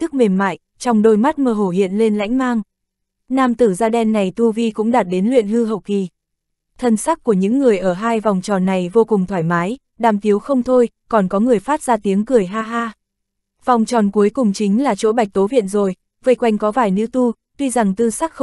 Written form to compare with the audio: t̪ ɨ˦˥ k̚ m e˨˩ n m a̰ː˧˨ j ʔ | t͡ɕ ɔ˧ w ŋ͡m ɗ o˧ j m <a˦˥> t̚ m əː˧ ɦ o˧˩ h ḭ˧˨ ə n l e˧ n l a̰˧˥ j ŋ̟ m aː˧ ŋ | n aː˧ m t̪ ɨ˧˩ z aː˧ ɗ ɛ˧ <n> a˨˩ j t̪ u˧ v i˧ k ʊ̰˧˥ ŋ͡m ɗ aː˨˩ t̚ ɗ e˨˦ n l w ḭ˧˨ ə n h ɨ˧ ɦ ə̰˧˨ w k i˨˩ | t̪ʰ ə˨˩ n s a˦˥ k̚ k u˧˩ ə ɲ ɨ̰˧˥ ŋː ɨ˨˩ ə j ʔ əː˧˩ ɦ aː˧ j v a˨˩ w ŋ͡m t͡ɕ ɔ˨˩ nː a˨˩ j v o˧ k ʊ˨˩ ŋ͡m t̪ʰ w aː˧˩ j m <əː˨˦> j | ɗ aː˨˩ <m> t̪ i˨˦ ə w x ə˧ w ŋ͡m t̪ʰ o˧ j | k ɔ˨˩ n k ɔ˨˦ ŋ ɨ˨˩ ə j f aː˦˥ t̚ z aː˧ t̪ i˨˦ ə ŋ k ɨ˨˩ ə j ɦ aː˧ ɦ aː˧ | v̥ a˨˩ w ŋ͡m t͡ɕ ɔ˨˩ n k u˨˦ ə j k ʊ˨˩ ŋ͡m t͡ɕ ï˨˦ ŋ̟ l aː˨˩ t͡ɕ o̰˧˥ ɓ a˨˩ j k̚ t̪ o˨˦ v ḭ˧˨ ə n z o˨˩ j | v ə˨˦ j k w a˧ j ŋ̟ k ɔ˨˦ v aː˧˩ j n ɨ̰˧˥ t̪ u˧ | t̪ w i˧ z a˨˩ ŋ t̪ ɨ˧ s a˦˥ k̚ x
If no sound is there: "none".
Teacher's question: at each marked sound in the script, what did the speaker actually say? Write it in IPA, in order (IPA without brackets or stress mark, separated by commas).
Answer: a˦˥, nː, aː˨˦, m